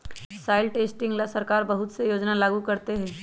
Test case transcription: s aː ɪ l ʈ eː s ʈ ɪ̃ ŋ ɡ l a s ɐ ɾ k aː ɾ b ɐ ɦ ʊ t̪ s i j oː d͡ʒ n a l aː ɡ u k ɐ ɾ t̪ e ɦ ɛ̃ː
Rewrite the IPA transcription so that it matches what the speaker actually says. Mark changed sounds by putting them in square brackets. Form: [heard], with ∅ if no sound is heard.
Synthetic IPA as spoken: s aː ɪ l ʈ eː s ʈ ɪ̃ ŋ ɡ l a s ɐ ɾ k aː ɾ b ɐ ɦ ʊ t̪ s [e] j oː d͡ʒ n a l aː ɡ u k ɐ ɾ t̪ e ɦ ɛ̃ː